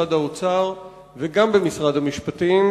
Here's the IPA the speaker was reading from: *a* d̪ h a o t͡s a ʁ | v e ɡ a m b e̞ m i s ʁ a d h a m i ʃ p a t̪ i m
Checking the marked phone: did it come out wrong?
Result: no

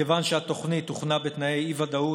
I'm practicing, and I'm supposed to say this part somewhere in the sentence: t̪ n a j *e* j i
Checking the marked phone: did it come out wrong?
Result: no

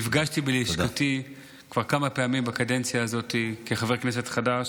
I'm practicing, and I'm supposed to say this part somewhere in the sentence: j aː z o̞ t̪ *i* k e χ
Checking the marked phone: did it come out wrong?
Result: no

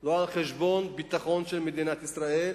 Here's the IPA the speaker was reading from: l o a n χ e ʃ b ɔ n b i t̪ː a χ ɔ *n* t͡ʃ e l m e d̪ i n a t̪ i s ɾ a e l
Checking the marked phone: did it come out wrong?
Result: no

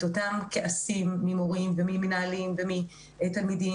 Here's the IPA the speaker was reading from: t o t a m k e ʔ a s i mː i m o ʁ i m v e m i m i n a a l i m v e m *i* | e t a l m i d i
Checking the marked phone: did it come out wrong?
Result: no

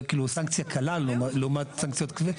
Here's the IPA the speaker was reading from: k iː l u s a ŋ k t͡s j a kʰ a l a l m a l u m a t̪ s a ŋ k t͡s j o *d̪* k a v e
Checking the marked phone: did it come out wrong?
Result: yes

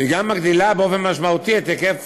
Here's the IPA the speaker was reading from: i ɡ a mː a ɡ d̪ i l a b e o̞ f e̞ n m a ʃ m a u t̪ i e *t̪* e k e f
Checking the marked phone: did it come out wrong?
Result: no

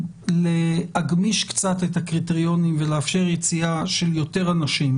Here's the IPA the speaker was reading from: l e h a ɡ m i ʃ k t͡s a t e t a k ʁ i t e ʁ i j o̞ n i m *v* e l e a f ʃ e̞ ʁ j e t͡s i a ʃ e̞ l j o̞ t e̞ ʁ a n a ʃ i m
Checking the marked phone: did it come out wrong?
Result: no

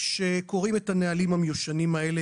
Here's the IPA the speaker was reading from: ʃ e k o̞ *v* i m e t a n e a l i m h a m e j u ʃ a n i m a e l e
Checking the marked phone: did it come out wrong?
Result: yes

